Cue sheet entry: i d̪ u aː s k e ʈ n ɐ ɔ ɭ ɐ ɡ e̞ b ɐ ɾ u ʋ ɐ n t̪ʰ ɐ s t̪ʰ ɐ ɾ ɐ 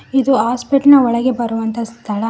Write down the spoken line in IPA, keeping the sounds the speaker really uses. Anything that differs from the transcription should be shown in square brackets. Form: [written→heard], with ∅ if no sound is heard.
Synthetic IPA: i d̪ u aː s [k→p] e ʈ n ɐ ɔ ɭ ɐ ɡ e̞ b ɐ ɾ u ʋ ɐ n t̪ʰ ɐ s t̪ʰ ɐ [ɾ→ɭ] ɐ